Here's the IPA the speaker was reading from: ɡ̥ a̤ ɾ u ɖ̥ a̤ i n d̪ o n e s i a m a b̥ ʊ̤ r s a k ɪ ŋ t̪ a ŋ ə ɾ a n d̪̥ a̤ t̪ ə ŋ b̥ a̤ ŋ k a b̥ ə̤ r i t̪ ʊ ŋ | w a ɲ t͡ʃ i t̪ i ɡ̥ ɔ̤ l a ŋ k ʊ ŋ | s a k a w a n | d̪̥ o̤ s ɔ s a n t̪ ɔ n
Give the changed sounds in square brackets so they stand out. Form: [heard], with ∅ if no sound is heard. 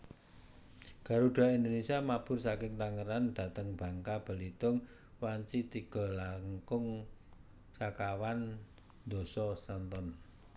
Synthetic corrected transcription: ɡ̥ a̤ ɾ u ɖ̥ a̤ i n d̪ o n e s i a m a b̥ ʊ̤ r s a k ɪ ŋ t̪ a ŋ ə ɾ a n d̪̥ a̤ t̪ ə ŋ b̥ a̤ ŋ k a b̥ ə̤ [l] i t̪ ʊ ŋ | w a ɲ t͡ʃ i t̪ i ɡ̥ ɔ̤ l a ŋ k ʊ ŋ | s a k a w a n | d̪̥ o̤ s ɔ s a n t̪ ɔ n